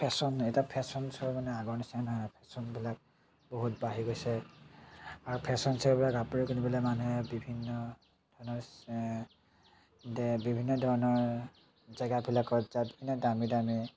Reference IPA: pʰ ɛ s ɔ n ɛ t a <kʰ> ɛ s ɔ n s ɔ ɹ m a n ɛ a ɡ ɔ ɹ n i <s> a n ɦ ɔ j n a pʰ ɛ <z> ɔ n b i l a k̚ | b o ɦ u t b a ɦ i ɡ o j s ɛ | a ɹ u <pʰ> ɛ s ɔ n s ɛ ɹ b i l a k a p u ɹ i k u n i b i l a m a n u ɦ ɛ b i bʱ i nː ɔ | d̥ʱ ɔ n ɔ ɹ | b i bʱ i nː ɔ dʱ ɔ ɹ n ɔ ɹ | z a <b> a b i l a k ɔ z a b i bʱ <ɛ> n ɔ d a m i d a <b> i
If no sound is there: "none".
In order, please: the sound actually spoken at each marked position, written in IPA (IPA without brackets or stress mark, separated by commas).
pʰ, s, s, pʰ, ɡ, i, m